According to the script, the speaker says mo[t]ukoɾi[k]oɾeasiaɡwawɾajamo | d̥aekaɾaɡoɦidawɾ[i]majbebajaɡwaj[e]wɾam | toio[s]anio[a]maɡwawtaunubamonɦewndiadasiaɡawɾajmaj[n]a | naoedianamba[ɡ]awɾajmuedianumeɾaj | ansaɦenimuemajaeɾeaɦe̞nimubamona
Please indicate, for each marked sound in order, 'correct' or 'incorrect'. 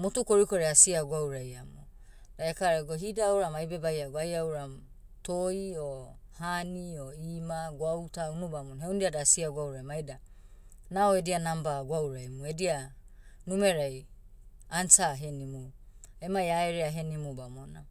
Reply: correct, correct, incorrect: a, incorrect: a, incorrect: h, incorrect: i, incorrect: d, correct

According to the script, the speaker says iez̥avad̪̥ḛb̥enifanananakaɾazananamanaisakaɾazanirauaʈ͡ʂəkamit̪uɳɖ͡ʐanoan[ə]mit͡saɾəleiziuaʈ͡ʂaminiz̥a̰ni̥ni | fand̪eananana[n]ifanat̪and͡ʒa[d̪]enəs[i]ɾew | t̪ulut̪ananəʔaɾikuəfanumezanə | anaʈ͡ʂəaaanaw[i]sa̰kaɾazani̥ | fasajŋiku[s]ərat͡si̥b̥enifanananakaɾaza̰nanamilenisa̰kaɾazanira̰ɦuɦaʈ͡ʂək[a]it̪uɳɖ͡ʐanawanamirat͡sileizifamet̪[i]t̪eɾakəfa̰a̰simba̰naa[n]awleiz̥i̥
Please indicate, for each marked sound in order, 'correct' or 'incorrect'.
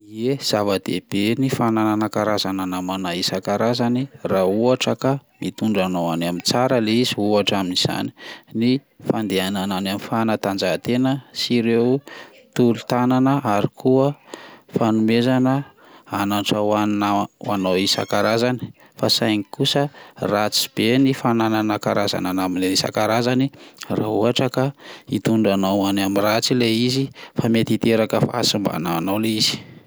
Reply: incorrect: a, incorrect: m, incorrect: t̪, correct, correct, correct, correct, correct, correct

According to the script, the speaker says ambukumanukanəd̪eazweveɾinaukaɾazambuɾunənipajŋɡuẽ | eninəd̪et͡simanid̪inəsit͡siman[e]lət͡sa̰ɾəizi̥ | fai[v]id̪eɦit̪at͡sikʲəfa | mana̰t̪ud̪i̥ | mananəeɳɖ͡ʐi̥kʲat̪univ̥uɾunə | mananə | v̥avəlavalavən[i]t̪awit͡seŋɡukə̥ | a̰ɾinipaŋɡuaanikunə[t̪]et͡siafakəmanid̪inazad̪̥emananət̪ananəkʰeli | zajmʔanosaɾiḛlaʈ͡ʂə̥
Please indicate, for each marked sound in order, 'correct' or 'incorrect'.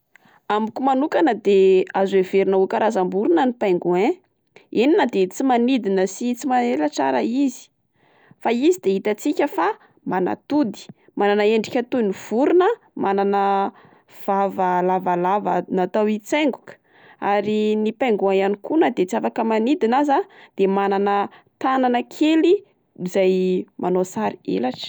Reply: correct, incorrect: z, incorrect: a, incorrect: d̪

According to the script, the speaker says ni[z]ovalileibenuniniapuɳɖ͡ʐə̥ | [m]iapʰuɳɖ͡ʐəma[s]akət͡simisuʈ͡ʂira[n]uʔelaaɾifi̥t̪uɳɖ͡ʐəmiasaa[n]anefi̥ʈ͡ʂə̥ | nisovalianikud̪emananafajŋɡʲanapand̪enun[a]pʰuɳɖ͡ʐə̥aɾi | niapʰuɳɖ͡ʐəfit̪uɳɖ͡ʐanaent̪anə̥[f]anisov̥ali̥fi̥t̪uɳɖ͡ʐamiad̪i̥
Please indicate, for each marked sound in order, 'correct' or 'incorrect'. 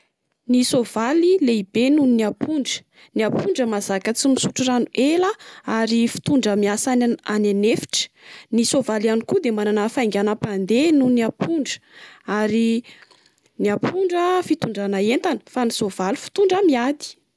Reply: incorrect: s, incorrect: n, incorrect: z, correct, correct, correct, correct

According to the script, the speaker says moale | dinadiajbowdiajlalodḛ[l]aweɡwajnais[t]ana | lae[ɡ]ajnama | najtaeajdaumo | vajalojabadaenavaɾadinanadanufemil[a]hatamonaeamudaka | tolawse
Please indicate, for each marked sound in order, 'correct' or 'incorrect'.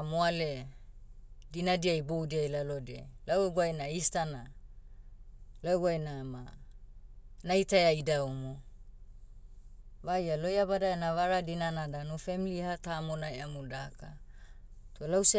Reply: correct, correct, correct, incorrect: i

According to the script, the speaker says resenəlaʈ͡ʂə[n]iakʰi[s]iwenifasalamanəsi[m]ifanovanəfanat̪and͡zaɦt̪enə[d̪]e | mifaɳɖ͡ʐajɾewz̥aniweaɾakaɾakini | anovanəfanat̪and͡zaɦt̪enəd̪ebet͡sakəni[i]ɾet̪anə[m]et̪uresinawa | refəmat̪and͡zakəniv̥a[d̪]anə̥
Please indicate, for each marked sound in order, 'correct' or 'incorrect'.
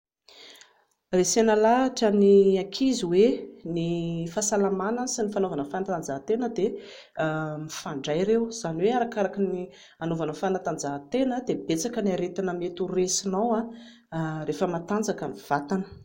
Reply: correct, incorrect: z, incorrect: n, correct, incorrect: a, correct, incorrect: t̪

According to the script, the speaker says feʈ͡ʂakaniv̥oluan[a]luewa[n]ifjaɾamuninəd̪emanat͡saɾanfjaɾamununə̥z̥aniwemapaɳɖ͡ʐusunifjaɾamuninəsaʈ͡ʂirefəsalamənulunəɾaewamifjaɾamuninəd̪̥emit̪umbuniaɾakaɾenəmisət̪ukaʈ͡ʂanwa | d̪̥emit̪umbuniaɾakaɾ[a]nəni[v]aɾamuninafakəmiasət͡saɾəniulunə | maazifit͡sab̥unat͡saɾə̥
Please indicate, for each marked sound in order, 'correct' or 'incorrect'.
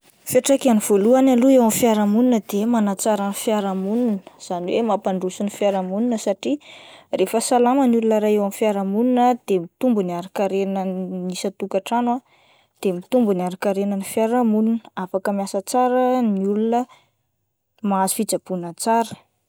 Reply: correct, incorrect: m, incorrect: e, incorrect: f

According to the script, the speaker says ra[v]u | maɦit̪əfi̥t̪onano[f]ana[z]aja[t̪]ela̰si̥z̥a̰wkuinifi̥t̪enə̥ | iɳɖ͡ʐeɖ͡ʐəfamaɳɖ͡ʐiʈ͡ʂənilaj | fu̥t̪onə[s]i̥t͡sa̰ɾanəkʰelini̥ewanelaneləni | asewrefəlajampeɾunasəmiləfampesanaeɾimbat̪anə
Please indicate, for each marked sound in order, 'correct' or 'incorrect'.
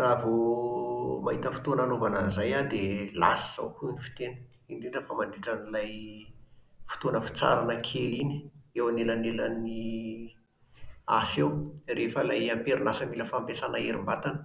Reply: correct, incorrect: v, correct, incorrect: d̪, incorrect: f

